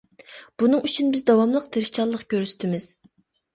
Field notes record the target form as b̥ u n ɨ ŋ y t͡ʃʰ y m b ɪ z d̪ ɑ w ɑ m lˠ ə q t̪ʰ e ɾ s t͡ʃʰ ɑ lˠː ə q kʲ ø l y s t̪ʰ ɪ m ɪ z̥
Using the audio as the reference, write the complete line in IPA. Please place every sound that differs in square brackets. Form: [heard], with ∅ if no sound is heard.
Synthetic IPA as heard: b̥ u n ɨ ŋ y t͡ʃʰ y [n] b ɪ z d̪ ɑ w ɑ m lˠ ə q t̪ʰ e ɾ [ʃ] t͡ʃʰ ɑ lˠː ə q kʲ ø [ɾ] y s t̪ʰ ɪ m ɪ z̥